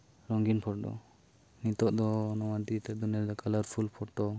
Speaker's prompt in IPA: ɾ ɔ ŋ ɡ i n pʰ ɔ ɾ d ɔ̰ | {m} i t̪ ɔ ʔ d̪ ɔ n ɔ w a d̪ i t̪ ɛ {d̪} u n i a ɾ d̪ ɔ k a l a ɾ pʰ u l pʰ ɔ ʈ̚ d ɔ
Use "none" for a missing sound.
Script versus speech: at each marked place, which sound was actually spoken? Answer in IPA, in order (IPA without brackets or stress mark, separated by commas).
n, d̪